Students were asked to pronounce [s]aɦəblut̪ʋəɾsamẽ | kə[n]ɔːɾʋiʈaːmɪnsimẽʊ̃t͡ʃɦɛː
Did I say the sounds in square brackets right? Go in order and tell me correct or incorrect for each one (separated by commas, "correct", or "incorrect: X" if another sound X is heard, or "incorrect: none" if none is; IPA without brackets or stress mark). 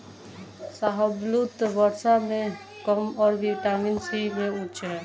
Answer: correct, incorrect: m